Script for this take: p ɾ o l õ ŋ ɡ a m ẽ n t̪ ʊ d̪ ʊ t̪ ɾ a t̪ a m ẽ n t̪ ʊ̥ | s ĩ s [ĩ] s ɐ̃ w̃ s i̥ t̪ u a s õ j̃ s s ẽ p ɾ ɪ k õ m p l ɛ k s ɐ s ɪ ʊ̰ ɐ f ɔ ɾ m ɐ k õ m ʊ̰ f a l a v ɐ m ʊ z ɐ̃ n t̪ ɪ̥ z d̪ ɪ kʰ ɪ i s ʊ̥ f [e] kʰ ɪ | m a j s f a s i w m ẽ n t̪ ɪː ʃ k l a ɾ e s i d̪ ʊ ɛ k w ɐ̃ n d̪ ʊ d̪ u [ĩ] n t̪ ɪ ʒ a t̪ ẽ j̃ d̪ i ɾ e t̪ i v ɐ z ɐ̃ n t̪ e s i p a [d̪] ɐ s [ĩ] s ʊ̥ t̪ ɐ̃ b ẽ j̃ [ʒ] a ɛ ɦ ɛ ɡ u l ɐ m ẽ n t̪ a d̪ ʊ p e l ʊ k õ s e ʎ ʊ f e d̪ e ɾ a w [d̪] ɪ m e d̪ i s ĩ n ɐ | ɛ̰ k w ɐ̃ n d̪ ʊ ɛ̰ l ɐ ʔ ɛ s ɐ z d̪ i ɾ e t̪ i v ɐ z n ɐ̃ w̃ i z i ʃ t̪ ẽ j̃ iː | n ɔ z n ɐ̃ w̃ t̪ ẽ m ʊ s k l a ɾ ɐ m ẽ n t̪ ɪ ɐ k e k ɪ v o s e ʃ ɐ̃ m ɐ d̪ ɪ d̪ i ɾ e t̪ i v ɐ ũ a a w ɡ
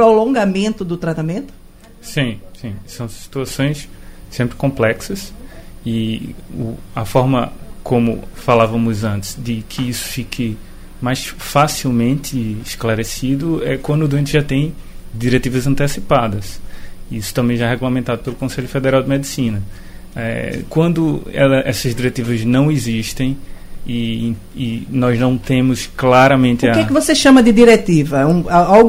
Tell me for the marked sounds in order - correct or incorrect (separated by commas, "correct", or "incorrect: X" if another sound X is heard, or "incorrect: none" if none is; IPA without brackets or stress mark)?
correct, incorrect: i, incorrect: ẽ, correct, incorrect: i, correct, correct